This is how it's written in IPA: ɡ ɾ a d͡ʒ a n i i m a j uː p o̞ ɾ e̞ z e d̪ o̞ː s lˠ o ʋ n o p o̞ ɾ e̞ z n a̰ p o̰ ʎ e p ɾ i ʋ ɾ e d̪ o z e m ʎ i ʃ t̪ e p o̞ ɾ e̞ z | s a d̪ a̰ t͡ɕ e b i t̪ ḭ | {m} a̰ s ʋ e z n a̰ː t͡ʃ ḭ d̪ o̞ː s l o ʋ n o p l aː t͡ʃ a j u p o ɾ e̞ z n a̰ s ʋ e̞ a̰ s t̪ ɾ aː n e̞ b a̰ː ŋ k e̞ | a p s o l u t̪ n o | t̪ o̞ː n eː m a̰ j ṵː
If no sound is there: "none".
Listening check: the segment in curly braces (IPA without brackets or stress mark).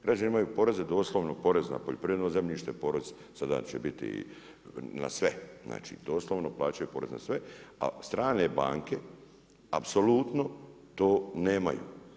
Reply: n